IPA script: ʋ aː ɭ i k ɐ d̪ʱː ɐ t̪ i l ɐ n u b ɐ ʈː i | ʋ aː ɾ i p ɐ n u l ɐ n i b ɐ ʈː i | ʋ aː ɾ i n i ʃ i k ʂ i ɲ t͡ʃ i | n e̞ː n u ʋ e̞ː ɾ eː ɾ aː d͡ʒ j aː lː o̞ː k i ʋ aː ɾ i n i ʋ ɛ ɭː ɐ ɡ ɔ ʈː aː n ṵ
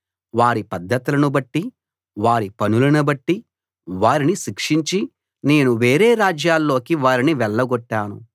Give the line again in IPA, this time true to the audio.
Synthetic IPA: ʋ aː ɾ i p ɐ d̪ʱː ɐ t̪ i l ɐ n u b ɐ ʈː i | ʋ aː ɾ i p ɐ n u l ɐ n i b ɐ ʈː i | ʋ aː ɾ i n i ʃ i k ʂ i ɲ t͡ʃ i | n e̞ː n u ʋ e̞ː ɾ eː ɾ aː d͡ʒ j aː lː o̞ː k i ʋ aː ɾ i n i ʋ ɛ ɭː ɐ ɡ ɔ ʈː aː n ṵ